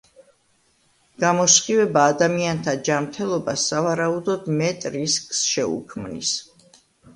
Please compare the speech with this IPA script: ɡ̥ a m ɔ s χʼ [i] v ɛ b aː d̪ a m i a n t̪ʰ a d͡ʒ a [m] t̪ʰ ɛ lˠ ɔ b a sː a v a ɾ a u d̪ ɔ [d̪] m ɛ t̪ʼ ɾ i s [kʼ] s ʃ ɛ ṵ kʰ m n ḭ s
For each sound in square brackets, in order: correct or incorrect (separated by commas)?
correct, correct, correct, correct